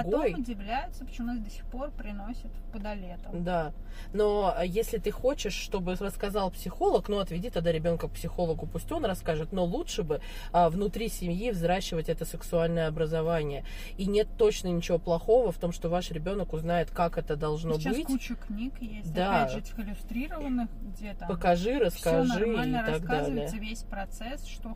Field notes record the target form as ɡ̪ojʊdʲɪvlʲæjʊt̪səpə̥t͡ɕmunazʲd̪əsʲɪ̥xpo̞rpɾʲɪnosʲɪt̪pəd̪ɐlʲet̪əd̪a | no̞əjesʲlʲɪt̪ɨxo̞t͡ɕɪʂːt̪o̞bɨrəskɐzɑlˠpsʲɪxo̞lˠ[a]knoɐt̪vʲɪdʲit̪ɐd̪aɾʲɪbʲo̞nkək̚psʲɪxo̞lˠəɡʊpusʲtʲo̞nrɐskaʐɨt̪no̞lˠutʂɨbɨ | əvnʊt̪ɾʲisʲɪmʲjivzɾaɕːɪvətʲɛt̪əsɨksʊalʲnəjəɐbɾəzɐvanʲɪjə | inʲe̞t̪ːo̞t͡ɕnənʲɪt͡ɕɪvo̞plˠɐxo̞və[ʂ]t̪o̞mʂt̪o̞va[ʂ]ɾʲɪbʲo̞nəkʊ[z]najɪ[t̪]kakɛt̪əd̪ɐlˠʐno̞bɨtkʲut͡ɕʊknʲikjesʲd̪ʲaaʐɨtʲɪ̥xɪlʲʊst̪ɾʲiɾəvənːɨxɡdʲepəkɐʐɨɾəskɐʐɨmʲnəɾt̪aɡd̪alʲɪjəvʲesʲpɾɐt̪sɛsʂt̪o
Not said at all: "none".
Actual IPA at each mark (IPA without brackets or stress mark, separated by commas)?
ə, f, ʂ, z, t̪